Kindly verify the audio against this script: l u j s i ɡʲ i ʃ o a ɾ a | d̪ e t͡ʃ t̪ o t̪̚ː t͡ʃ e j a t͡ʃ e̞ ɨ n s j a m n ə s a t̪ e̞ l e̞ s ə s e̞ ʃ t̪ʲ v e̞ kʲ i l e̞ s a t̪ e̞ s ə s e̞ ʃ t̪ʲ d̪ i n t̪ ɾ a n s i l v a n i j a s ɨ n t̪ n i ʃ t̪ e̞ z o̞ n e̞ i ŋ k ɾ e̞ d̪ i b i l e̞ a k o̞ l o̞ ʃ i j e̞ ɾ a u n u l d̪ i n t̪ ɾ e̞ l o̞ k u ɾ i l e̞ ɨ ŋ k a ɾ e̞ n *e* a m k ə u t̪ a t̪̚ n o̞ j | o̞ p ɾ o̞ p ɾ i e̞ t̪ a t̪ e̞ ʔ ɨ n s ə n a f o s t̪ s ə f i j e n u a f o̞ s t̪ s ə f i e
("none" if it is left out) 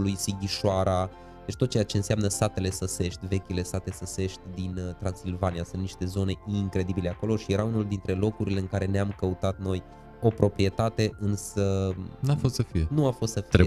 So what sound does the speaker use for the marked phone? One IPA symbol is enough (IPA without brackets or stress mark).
e